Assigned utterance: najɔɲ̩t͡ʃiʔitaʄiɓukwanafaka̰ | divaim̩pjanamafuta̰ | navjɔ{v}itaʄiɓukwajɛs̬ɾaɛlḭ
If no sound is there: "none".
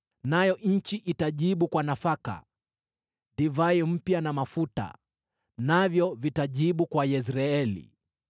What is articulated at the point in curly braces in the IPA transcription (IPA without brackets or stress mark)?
v